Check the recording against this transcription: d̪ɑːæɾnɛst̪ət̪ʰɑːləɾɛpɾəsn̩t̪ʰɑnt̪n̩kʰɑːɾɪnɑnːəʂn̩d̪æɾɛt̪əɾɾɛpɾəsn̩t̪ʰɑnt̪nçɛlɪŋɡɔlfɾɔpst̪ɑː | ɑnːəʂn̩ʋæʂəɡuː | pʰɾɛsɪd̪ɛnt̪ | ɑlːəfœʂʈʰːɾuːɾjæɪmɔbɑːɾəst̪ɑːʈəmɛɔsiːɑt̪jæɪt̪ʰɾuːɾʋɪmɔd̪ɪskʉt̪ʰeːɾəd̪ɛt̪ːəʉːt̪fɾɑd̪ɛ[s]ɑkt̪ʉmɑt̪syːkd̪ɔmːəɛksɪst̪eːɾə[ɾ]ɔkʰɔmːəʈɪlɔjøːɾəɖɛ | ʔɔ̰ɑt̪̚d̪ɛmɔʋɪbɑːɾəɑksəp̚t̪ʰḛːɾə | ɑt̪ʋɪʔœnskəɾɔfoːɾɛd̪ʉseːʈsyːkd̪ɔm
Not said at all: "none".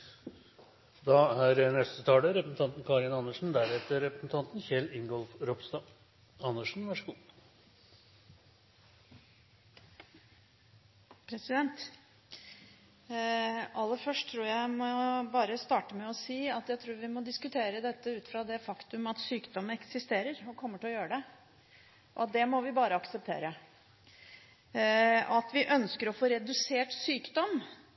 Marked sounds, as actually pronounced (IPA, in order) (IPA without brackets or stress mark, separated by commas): f, ɾ